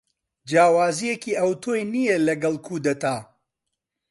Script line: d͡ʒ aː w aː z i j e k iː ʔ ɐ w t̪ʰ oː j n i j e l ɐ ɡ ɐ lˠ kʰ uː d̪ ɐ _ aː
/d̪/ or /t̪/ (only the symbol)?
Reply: t̪